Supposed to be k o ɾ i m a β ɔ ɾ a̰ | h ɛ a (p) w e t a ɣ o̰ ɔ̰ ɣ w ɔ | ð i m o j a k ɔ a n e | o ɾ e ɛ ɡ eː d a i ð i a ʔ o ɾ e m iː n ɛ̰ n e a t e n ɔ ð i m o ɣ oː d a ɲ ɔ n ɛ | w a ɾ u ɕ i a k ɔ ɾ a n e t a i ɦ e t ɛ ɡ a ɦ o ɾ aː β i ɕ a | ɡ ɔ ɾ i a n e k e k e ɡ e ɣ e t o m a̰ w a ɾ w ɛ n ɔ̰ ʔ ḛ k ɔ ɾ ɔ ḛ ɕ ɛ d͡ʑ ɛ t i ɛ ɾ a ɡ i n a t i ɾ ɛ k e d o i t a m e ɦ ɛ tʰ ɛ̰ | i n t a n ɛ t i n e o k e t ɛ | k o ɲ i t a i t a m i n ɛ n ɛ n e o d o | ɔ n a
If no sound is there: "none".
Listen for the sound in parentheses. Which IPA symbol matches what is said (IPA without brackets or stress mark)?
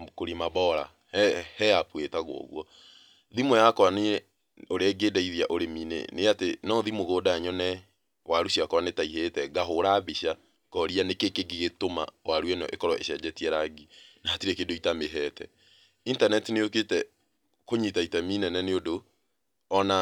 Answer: p